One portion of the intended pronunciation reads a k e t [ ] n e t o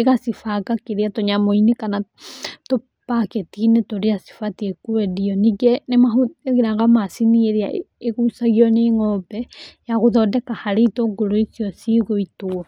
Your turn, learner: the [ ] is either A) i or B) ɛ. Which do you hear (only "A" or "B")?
A